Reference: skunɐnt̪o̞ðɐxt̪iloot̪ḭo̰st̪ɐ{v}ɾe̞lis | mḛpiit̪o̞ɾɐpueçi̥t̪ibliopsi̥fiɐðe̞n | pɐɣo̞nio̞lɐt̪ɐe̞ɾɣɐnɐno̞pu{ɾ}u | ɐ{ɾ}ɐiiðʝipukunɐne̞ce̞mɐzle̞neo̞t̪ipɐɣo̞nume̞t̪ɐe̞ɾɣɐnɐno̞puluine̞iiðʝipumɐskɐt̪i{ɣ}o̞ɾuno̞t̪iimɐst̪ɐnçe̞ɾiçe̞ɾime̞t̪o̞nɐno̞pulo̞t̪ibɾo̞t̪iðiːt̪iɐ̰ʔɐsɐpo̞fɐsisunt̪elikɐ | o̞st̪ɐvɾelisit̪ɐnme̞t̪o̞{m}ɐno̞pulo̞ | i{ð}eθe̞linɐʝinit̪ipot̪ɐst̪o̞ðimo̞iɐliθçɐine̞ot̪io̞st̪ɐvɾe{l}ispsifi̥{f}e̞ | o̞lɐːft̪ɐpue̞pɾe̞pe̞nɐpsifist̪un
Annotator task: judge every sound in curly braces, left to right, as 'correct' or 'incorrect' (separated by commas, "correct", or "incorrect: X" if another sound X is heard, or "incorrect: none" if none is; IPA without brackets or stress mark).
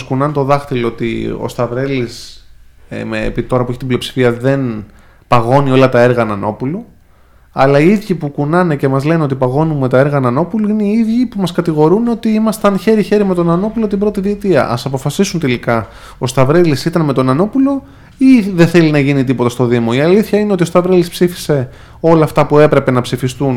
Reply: correct, incorrect: l, incorrect: l, correct, incorrect: n, correct, correct, incorrect: s